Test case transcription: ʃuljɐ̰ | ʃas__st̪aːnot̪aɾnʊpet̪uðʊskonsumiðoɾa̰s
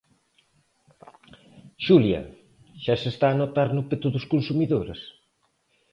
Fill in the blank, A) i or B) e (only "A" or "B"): B